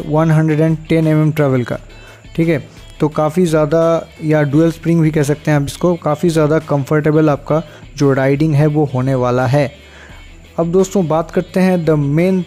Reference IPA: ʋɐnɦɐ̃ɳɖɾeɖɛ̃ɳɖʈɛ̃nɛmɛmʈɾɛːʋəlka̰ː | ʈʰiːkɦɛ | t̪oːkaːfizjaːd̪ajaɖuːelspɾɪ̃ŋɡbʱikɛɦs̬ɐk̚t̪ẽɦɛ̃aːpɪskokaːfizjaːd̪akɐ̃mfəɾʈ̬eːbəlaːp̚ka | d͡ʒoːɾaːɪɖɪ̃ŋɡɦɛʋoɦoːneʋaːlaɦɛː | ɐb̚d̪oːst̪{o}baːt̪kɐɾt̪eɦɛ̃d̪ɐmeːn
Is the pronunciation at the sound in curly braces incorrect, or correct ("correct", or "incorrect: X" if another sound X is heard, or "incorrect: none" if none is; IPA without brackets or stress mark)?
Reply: incorrect: õ